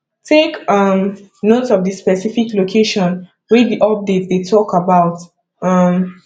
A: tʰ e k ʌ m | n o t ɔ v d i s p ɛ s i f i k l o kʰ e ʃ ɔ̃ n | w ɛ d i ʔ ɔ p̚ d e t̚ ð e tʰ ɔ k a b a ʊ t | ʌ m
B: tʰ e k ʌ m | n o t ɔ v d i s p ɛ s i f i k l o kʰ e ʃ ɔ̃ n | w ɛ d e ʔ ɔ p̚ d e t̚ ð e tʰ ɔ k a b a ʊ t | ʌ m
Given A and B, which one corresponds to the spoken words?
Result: A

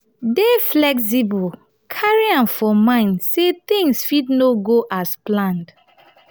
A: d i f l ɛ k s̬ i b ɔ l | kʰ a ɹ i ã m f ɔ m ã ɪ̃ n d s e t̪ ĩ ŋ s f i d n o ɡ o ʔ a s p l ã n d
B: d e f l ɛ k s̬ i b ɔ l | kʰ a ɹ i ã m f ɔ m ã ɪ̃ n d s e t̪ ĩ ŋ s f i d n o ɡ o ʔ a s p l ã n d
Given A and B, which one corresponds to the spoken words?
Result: B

